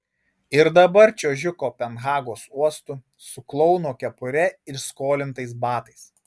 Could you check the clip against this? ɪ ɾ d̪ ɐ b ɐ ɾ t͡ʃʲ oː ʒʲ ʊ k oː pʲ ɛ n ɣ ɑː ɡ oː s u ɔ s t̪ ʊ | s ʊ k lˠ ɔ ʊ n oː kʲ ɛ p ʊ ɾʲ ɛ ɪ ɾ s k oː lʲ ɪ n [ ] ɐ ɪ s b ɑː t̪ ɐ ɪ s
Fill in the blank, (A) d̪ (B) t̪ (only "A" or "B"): B